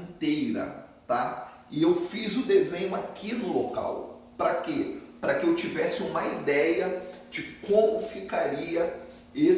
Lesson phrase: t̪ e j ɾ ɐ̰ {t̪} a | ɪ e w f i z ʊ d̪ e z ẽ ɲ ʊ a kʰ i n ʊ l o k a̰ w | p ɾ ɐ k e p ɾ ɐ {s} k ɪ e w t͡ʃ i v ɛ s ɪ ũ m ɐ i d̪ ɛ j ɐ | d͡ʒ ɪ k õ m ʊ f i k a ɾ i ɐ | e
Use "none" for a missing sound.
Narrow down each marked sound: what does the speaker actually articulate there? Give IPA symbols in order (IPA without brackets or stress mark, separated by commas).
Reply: t̪, none